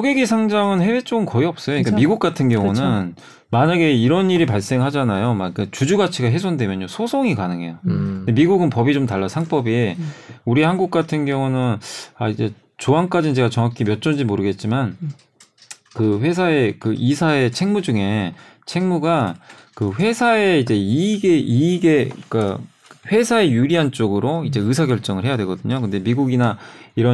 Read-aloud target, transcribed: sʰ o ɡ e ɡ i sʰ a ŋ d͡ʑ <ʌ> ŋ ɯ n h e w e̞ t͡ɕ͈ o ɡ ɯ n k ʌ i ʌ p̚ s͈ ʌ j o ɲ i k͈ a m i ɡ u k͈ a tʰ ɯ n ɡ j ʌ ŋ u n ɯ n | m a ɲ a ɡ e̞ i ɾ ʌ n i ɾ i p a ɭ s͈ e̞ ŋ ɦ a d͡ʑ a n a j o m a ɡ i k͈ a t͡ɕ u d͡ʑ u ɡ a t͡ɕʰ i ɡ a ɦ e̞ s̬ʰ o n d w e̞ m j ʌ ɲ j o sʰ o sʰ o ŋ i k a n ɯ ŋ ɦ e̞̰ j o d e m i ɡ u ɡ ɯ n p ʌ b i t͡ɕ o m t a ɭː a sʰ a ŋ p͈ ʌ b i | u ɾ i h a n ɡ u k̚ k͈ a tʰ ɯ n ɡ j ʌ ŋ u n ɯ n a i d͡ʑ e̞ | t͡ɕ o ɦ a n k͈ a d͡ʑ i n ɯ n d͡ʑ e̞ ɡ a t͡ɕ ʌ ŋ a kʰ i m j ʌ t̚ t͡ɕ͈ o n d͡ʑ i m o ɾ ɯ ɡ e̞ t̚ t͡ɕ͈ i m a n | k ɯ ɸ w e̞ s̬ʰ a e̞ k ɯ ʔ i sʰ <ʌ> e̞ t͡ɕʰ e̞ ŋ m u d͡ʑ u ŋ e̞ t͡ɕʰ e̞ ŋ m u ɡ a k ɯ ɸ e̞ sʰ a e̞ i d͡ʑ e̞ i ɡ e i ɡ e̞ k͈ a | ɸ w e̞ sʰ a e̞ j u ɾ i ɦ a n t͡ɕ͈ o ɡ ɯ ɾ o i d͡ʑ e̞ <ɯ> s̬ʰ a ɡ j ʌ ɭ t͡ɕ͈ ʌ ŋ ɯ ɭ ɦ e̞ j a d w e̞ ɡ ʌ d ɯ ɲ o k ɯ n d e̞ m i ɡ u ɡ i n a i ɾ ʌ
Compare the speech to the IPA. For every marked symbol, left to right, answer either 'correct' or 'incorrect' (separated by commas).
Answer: incorrect, incorrect, correct